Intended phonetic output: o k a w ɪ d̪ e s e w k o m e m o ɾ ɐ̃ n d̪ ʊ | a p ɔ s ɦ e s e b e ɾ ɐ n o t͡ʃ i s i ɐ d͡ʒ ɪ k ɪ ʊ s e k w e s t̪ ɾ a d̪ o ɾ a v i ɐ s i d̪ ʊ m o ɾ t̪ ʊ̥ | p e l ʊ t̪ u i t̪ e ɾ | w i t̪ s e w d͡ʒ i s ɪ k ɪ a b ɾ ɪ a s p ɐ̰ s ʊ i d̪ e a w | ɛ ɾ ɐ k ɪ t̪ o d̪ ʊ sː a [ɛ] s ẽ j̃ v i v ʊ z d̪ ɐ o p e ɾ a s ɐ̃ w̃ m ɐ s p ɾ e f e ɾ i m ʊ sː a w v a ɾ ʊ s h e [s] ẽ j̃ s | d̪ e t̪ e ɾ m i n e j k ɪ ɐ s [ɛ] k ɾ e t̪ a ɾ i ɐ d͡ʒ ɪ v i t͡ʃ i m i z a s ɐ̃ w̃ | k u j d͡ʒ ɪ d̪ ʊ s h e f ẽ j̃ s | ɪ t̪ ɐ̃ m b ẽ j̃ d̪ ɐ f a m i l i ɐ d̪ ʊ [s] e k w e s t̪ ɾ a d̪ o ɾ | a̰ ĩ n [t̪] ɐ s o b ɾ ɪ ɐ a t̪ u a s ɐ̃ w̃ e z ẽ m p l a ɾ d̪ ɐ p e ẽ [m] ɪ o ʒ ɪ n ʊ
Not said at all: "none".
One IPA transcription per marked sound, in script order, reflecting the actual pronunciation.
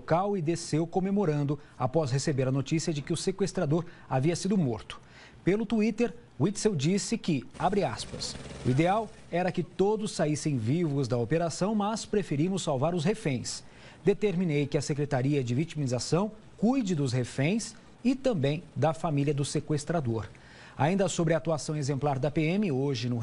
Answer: i, f, e, s, d̪, m

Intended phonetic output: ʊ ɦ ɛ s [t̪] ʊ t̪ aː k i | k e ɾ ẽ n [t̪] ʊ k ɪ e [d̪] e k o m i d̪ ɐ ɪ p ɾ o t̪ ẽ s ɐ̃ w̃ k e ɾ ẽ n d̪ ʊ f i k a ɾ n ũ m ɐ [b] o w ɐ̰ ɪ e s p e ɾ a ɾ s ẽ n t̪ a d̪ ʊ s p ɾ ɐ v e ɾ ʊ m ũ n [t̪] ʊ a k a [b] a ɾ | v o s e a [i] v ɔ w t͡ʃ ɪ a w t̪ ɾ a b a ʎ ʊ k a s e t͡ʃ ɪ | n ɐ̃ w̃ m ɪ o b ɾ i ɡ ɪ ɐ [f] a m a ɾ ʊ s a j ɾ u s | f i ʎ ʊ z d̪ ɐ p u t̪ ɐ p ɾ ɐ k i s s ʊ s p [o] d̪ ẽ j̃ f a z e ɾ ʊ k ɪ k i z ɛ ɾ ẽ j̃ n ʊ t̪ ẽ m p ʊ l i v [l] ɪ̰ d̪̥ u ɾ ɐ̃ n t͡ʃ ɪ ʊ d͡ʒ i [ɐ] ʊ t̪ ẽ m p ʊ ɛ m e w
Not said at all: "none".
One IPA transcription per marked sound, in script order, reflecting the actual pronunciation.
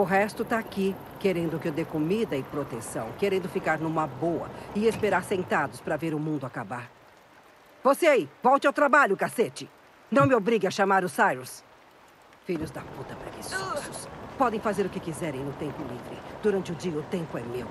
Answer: t̪, d̪, d̪, b, d̪, b, i, ʃ, ɔ, ɾ, ɐ

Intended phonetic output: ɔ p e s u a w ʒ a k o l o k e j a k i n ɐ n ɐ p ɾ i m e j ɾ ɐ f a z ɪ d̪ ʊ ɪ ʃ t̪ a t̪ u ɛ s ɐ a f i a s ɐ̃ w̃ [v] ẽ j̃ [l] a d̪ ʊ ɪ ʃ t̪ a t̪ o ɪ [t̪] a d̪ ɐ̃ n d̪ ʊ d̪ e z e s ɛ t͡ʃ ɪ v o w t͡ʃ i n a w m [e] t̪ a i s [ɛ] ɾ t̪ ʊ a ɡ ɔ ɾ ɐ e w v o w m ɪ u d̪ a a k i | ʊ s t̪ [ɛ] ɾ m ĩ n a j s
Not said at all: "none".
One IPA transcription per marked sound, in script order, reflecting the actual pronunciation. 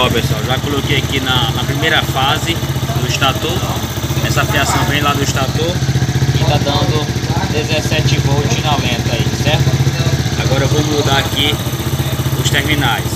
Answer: v, l, t̪, ẽ, ɛ, e

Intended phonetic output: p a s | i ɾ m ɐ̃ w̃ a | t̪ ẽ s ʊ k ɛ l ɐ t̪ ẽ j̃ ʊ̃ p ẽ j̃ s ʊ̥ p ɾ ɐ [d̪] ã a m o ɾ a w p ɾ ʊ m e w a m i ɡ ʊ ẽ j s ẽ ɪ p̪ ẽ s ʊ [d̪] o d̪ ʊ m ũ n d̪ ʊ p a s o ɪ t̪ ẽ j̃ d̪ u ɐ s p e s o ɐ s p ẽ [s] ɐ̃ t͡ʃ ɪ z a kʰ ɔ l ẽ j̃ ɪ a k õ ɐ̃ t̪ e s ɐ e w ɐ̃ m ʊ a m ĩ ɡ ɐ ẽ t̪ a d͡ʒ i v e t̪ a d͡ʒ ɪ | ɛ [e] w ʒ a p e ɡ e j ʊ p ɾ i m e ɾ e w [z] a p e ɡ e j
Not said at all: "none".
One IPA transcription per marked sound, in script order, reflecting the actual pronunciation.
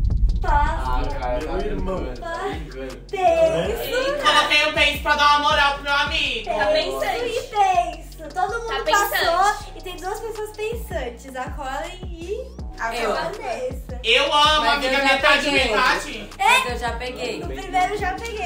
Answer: d̪, t̪, s, e, ʒ

